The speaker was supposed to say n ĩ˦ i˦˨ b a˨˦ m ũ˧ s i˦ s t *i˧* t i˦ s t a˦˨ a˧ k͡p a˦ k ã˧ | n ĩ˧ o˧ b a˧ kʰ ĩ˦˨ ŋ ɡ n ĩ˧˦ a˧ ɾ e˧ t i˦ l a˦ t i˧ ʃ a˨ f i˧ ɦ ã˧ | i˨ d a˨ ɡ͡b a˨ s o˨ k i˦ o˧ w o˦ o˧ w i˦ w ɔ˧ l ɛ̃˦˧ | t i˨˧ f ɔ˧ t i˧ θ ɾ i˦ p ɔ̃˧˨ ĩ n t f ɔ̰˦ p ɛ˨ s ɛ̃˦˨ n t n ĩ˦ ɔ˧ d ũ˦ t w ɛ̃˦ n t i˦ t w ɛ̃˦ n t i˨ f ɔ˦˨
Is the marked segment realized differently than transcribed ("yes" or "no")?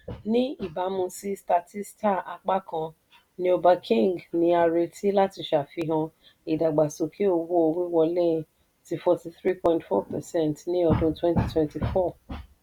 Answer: yes